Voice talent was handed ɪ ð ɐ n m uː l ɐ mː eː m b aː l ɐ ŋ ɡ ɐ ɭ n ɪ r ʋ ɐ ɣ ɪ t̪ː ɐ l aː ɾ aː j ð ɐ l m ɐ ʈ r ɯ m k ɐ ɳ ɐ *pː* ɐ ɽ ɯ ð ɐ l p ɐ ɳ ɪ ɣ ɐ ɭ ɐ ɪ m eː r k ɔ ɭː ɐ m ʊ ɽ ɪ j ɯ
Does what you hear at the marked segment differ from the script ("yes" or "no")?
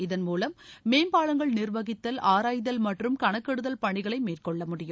yes